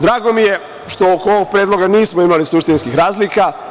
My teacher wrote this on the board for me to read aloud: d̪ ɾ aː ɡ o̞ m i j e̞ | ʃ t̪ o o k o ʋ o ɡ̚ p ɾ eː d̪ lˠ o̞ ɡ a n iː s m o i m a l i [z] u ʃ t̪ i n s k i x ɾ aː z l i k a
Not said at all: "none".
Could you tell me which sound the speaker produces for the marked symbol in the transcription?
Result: s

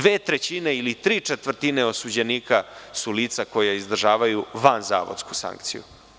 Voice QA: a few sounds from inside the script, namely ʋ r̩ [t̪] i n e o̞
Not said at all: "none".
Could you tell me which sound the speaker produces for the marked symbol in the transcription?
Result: t̪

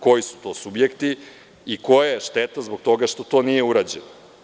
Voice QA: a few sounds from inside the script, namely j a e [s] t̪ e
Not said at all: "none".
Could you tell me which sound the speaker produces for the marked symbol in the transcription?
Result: ʃ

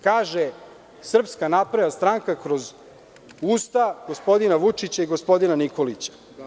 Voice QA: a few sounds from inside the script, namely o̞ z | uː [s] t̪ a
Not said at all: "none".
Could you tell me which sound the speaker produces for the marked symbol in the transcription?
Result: s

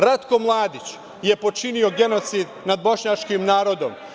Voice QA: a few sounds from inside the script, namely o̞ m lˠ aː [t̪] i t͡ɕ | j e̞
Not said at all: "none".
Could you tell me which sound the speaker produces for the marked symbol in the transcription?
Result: d̪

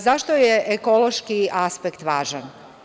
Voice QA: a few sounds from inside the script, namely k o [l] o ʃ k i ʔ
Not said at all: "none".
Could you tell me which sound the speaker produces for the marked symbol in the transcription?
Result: l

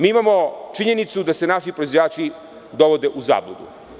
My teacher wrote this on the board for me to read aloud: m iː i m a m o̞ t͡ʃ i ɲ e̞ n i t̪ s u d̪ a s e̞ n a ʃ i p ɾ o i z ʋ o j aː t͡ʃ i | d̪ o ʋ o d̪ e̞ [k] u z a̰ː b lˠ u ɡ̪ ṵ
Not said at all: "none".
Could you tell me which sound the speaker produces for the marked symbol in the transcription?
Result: ʔ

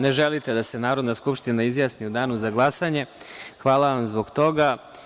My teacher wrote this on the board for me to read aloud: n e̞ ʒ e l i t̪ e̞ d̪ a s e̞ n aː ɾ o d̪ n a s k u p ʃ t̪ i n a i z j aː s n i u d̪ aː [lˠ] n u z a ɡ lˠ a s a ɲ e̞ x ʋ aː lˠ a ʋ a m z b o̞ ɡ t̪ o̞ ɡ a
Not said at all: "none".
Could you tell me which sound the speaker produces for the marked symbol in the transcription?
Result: none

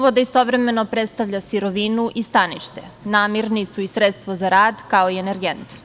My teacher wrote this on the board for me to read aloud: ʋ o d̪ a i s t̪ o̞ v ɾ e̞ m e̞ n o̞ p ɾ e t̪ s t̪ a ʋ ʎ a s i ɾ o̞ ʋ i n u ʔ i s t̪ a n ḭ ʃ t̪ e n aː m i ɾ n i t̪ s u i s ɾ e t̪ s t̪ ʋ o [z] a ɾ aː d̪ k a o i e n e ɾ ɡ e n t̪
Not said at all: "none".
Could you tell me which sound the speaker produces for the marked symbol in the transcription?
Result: z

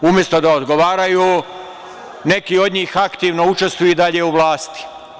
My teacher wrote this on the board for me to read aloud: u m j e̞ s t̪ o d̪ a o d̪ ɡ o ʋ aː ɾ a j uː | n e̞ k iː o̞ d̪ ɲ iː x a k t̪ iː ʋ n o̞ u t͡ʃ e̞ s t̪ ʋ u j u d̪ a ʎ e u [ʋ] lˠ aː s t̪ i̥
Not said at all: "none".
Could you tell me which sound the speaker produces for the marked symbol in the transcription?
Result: ʋ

